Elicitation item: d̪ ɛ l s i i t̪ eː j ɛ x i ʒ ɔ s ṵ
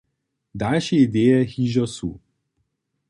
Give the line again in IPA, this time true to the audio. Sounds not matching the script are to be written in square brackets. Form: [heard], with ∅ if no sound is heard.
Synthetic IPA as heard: d̪ [a] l [ʃ] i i [d̪] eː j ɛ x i ʒ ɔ s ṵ